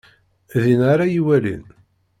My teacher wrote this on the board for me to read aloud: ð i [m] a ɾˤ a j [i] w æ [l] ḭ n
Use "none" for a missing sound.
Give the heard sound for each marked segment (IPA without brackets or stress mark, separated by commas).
n, i, l